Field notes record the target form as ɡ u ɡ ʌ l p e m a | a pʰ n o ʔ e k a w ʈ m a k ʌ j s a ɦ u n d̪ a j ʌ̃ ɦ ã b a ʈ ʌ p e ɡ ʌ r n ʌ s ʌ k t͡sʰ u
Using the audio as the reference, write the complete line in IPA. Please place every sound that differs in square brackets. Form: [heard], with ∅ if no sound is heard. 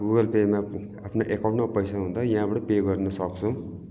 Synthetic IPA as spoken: ɡ u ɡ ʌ l p e m a | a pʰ n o ʔ e k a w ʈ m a [p] ʌ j s a ɦ u n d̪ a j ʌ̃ ɦ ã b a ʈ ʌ p e ɡ ʌ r n ʌ s ʌ k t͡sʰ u